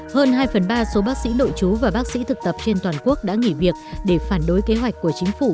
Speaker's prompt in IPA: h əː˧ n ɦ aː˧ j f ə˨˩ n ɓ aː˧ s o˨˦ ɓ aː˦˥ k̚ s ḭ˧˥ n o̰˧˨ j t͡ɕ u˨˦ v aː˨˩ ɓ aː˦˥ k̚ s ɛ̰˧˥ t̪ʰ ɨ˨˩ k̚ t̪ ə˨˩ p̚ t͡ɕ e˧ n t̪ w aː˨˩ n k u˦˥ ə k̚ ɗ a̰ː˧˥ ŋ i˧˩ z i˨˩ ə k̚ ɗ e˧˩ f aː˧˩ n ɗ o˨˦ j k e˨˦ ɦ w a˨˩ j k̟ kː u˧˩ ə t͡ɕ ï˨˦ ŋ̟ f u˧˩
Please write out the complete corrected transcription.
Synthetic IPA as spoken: h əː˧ n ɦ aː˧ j f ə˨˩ n ɓ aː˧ s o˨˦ ɓ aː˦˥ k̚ s ḭ˧˥ n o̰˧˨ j t͡ɕ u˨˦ v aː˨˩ ɓ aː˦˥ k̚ s ḭ˧˥ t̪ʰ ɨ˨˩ k̚ t̪ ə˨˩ p̚ t͡ɕ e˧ n t̪ w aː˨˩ n k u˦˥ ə k̚ ɗ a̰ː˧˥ ŋ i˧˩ v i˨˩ ə k̚ ɗ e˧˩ f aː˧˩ n ɗ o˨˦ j k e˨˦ ɦ w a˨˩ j k̟ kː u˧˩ ə t͡ɕ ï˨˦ ŋ̟ f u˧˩

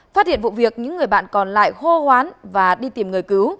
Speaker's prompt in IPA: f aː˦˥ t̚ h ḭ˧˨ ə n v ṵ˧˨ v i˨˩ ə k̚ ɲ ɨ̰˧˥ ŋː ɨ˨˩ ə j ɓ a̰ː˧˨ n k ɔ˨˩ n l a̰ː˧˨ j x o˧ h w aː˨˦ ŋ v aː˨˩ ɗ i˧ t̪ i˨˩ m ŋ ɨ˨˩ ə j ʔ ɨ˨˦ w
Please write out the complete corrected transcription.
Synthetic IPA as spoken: f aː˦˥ t̚ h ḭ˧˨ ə n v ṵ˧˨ v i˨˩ ə k̚ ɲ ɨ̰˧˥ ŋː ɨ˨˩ ə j ɓ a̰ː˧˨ n k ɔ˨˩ n l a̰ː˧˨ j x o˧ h w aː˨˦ n v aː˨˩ ɗ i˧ t̪ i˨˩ m ŋ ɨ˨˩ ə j k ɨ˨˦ w

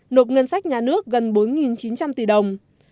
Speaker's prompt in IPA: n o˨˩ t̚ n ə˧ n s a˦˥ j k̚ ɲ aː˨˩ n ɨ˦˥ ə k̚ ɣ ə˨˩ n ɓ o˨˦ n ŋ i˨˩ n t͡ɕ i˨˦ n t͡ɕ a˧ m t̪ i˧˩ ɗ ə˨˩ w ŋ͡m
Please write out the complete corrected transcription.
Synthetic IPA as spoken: n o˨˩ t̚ ŋ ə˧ n s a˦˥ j k̚ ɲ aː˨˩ n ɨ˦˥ ə k̚ ɣ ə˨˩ n ɓ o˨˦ n ŋ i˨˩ n t͡ɕ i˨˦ n t͡ɕ a˧ m t̪ i˧˩ ɗ ə˨˩ w ŋ͡m

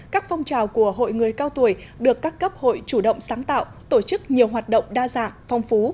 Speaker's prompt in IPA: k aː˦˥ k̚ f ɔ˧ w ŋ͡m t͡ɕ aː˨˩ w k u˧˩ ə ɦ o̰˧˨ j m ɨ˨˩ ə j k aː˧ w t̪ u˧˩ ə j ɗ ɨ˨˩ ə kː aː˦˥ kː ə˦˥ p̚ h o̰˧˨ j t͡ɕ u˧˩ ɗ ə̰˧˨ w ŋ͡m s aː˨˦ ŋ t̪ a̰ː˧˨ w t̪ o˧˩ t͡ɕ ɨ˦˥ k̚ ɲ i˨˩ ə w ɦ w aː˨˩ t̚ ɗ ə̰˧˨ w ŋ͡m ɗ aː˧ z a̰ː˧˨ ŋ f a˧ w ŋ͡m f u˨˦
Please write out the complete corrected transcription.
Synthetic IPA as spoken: k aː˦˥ k̚ f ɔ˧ w ŋ͡m t͡ɕ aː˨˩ w k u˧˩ ə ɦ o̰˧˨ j ŋ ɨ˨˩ ə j k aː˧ w t̪ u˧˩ ə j ɗ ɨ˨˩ ə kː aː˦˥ kː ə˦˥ p̚ h o̰˧˨ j t͡ɕ u˧˩ ɗ ə̰˧˨ w ŋ͡m s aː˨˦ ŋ t̪ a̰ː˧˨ w t̪ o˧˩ t͡ɕ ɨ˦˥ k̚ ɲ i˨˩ ə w ɦ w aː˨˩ t̚ ɗ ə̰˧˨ w ŋ͡m ɗ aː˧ z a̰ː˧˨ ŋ f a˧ w ŋ͡m f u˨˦

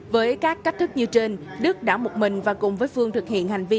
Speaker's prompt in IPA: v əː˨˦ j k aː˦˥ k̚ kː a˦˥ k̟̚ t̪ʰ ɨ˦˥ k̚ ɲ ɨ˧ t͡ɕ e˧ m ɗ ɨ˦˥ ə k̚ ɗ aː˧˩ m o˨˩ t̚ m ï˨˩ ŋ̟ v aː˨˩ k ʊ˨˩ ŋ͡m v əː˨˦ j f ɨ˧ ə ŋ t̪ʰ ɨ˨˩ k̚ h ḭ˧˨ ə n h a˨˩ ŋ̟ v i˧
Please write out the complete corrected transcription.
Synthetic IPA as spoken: v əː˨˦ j k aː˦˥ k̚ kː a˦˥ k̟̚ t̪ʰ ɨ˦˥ k̚ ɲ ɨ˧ t͡ɕ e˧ n ɗ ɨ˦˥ ə k̚ ɗ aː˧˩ m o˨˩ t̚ m ï˨˩ ŋ̟ v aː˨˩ k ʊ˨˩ ŋ͡m v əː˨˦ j f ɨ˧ ə ŋ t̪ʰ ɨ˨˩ k̚ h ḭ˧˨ ə n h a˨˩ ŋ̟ v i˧

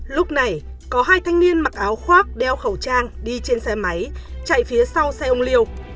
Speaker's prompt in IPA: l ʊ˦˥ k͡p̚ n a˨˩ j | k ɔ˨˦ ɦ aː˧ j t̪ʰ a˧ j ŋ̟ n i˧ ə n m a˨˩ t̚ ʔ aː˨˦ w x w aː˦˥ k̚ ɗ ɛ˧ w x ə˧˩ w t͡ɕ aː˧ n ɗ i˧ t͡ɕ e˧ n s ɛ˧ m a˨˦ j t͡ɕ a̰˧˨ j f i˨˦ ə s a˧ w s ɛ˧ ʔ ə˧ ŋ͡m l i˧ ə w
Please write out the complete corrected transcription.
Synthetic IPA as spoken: l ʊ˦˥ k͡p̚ n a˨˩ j | k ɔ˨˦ ɦ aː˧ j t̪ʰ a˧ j ŋ̟ n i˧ ə n m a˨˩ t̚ ʔ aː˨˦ w x w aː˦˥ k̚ ɗ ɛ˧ w x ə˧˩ w t͡ɕ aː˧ ŋ ɗ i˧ t͡ɕ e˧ n s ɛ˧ m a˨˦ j t͡ɕ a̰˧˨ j f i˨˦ ə s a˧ w s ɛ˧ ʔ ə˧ ŋ͡m l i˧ ə w

